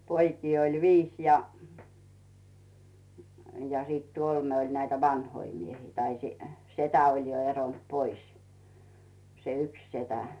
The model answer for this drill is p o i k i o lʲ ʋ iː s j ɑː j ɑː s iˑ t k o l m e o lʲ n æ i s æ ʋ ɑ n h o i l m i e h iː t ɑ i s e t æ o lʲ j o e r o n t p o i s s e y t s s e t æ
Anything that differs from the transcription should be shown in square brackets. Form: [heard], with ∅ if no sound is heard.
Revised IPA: p o i k [iː] o lʲ ʋ iː s j [ɑ] j [ɑ] s iˑ t k o l m e o lʲ n æ i [t] æ ʋ ɑ n h o i [∅] m i e h iː t ɑ i s e t æ o lʲ j o e r o n t p o i s s e y [k] s s e t æ